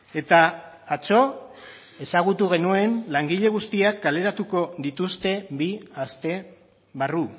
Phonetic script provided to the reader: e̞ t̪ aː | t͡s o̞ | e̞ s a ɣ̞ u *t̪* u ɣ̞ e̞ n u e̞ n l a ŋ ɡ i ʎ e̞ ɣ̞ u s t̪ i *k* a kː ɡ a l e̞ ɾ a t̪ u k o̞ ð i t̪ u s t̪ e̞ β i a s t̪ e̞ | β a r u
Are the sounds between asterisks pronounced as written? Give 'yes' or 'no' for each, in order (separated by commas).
yes, no